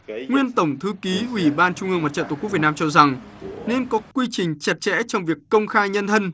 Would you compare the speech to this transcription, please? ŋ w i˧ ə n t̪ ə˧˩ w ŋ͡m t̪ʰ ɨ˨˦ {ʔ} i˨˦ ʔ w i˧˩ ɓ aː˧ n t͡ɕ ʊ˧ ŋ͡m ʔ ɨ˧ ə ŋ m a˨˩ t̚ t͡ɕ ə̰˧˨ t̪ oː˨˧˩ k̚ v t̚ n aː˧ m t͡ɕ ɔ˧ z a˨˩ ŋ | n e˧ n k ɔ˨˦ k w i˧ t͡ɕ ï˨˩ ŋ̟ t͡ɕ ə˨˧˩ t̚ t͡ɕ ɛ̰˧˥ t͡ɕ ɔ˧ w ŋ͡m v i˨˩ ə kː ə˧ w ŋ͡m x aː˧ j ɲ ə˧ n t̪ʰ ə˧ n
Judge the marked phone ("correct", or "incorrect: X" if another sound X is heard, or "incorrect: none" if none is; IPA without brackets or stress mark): incorrect: k